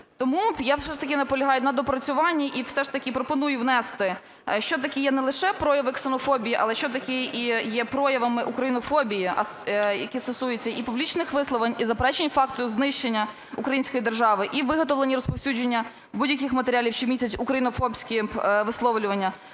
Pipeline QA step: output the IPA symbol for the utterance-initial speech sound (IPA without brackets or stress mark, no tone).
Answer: t̪